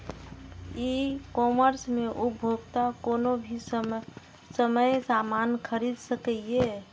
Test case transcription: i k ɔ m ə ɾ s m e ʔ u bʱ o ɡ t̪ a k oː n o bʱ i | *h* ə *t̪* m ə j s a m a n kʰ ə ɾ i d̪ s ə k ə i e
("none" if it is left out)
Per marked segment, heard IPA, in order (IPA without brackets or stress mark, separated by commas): s, none